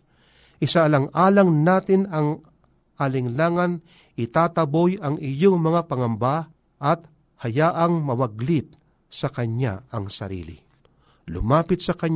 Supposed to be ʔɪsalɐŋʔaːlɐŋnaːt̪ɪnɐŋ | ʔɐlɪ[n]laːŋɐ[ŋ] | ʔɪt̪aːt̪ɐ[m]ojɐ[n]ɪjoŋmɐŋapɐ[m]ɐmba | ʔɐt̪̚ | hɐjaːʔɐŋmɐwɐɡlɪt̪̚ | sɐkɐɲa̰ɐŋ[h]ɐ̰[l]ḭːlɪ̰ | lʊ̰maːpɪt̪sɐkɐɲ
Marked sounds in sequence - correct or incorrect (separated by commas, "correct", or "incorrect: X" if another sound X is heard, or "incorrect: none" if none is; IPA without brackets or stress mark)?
incorrect: ŋ, incorrect: n, incorrect: b, incorrect: ŋ, incorrect: ŋ, incorrect: s, incorrect: ɾ